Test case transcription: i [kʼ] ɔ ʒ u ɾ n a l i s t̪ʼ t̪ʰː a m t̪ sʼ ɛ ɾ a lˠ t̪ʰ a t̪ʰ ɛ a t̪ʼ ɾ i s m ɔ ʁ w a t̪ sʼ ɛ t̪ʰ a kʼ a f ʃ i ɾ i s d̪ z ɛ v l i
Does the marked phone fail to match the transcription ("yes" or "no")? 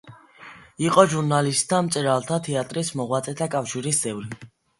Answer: yes